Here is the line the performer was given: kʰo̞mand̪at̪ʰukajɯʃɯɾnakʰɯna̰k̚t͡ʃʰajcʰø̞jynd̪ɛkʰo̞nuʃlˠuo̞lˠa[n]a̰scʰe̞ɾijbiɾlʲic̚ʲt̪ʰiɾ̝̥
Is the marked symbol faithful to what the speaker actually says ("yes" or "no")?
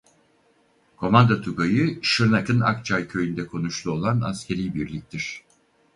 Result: yes